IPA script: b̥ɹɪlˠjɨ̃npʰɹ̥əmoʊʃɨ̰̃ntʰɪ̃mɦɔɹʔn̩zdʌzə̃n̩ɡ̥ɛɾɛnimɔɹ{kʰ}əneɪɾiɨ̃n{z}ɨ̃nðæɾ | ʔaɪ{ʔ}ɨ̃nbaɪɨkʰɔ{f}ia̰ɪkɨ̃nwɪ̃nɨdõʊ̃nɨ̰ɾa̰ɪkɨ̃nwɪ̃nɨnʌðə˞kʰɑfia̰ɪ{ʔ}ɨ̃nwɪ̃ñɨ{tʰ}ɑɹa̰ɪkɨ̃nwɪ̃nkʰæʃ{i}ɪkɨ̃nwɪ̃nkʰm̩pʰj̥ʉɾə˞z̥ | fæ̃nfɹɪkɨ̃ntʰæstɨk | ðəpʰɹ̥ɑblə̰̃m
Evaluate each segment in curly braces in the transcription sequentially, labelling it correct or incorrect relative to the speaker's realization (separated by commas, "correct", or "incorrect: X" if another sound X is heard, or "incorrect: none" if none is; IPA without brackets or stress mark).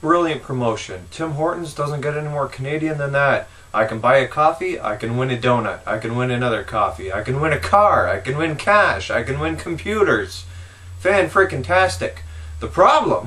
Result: correct, incorrect: ð, incorrect: k, correct, incorrect: k, incorrect: kʰ, incorrect: a